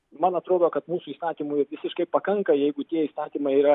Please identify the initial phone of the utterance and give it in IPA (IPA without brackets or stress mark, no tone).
m